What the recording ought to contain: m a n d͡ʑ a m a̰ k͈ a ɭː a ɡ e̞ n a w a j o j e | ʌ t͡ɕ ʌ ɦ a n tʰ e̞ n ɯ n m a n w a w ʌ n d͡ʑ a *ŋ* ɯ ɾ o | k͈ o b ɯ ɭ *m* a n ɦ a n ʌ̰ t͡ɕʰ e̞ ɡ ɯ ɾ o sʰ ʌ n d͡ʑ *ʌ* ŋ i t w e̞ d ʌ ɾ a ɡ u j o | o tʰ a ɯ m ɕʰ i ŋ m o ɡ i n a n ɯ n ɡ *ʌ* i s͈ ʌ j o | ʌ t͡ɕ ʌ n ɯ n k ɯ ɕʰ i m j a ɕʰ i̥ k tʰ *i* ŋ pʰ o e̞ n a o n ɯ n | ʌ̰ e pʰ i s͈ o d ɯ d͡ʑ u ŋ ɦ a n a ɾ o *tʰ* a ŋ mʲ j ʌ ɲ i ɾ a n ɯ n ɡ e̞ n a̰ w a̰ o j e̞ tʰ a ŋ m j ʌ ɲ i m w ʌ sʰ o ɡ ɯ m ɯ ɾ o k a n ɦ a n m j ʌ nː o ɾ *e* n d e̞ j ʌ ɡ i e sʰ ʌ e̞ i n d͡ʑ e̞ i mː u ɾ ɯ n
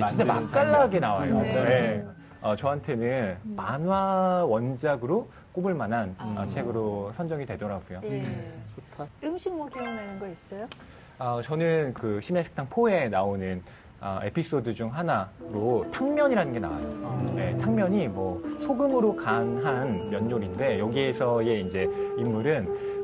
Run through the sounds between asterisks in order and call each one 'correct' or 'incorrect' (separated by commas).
incorrect, correct, correct, correct, incorrect, correct, incorrect